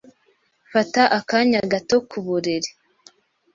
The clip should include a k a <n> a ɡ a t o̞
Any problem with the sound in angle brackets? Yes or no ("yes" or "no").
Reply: yes